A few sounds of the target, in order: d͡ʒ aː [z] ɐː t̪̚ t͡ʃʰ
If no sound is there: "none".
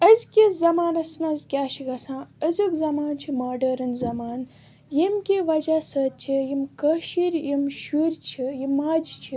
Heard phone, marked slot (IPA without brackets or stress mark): s